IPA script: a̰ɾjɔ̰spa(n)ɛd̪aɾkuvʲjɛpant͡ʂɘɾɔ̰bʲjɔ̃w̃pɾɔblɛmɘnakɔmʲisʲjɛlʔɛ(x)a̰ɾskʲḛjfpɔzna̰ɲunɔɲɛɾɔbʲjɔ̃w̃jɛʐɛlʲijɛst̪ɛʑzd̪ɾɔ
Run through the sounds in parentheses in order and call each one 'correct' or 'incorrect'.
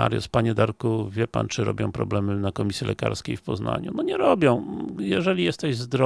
incorrect: ɲ, incorrect: k

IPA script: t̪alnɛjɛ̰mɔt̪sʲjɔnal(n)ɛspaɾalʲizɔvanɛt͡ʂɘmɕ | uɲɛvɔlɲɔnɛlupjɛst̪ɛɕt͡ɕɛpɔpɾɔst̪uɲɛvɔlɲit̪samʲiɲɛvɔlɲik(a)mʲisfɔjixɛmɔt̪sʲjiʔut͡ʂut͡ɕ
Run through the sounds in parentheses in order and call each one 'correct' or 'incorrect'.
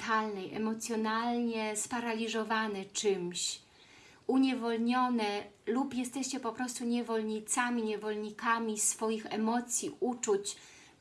incorrect: ɲ, correct

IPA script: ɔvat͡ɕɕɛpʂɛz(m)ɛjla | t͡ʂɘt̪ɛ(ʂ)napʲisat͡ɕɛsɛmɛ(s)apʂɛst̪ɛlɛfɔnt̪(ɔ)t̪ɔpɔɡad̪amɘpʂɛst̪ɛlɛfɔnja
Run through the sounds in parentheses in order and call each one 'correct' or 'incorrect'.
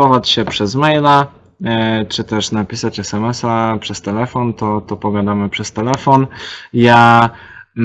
correct, correct, correct, correct

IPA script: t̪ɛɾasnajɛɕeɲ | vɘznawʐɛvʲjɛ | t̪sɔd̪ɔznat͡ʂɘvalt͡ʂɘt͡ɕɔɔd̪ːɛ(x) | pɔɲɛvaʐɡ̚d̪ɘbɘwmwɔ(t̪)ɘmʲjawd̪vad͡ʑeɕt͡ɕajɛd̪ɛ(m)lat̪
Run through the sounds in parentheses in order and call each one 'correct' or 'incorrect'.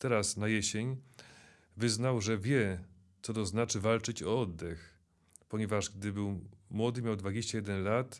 correct, incorrect: d̪, incorrect: n

